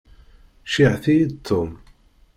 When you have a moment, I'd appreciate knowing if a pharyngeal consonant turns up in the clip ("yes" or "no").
yes